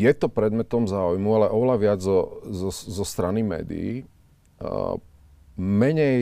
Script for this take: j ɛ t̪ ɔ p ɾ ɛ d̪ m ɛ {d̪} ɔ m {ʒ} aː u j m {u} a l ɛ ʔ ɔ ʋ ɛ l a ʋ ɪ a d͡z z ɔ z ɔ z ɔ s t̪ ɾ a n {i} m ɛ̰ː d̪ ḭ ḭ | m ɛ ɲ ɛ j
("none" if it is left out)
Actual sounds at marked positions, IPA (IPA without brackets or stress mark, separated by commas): t̪, z, u, i